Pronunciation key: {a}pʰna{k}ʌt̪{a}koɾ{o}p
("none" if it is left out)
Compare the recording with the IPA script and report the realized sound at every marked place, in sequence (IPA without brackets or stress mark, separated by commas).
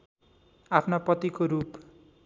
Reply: a, p, i, u